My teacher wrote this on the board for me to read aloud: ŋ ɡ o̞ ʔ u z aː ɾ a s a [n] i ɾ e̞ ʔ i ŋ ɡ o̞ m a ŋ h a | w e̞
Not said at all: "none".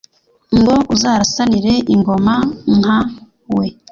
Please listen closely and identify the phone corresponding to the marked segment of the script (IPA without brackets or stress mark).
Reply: n